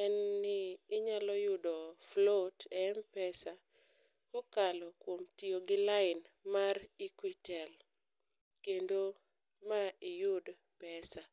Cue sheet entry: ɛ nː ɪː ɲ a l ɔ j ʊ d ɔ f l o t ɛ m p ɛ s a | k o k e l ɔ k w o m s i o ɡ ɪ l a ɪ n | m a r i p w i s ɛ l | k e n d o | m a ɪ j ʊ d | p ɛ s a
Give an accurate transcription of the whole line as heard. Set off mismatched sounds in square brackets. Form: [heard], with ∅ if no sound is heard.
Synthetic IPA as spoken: ɛ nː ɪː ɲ a l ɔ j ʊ d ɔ f l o t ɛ m p ɛ s a | k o k [a] l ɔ k w o m [t] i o ɡ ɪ l a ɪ n | m a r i [k] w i [t] ɛ l | k e n d o | m a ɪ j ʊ d | p ɛ s a